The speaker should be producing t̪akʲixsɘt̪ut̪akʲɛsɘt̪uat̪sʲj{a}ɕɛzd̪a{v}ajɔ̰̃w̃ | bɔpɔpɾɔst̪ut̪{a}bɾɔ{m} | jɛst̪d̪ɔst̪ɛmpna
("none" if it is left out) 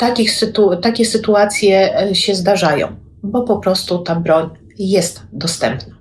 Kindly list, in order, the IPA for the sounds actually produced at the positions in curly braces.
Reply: ɛ, ʐ, a, ɲ

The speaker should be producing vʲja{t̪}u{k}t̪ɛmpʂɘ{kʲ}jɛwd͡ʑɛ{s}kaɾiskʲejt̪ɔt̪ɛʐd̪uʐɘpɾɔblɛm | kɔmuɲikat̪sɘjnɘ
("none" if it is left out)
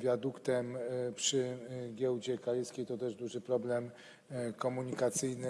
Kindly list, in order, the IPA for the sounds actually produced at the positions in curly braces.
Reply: d̪, k, ɡʲ, none

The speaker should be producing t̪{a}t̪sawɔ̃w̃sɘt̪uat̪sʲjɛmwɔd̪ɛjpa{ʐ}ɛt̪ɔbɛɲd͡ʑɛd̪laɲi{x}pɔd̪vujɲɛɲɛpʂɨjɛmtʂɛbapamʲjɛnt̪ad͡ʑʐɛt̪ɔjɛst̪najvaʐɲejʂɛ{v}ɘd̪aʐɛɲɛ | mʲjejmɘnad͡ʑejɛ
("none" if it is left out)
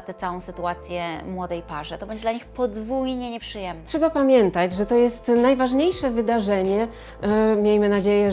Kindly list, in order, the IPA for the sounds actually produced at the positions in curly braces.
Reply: ɛ, ʐ, x, v

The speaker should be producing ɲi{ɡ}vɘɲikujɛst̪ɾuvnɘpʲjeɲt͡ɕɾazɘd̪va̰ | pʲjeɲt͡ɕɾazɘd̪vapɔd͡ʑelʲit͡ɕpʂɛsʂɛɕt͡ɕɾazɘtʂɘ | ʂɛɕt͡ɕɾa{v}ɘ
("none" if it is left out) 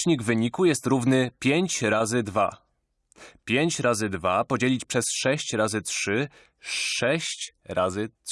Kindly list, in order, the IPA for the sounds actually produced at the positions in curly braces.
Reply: ɡ, z

